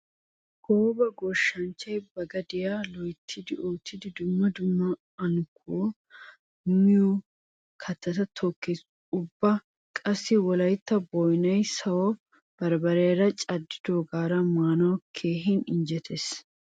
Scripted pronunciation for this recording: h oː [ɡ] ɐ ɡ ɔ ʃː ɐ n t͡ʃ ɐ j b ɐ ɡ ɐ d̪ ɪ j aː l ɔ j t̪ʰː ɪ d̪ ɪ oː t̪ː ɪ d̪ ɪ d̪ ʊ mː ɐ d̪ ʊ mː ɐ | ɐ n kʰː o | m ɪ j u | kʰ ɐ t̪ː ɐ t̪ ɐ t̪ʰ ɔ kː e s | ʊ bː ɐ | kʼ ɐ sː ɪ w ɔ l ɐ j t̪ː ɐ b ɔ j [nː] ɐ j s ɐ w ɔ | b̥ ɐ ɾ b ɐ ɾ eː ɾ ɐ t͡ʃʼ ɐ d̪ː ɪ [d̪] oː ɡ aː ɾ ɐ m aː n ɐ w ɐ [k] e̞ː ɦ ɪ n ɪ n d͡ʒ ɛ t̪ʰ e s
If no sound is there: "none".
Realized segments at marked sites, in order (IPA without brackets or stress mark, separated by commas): b, n, d̪, kʰ